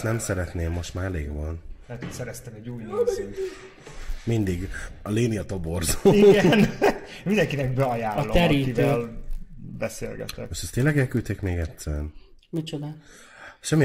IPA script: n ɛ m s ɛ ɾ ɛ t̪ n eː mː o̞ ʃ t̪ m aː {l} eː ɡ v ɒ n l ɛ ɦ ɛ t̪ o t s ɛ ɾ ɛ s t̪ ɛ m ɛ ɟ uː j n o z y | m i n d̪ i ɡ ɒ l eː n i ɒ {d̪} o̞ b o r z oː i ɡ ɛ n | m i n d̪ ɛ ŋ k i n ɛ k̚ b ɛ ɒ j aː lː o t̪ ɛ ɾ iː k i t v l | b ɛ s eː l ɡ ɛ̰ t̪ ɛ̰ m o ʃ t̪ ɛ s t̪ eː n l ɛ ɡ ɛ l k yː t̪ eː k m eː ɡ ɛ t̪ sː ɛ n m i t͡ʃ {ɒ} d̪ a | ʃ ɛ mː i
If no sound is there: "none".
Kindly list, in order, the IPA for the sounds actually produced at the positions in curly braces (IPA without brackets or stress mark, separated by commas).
l, t̪, o